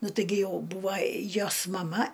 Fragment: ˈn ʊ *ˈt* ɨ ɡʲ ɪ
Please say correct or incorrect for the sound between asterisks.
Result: correct